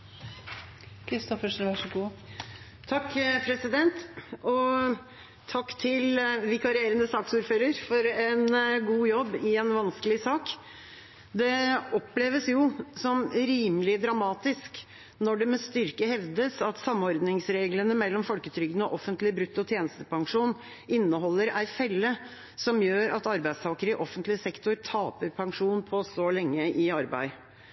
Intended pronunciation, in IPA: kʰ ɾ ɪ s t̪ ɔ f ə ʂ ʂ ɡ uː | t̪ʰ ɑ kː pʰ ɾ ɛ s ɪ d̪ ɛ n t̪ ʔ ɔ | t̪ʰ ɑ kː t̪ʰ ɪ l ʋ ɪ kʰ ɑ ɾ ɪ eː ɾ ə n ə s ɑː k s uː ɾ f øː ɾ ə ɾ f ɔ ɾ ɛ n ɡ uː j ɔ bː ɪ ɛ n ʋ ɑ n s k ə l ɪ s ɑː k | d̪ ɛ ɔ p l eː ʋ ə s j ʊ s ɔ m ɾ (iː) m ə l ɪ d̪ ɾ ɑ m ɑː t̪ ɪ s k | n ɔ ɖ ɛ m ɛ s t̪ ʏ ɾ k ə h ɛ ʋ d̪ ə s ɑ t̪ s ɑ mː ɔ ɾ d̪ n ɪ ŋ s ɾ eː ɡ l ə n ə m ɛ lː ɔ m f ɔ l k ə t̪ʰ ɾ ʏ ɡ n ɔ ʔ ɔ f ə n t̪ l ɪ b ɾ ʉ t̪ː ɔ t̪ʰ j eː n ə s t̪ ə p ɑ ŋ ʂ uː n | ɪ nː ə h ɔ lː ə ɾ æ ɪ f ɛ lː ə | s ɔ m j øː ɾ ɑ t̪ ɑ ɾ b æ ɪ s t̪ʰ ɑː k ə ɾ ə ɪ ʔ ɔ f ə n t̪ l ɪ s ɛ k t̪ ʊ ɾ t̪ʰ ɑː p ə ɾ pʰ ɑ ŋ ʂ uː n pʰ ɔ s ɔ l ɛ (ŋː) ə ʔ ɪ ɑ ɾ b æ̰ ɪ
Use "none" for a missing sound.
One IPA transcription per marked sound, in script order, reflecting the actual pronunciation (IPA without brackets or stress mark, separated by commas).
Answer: iː, ŋː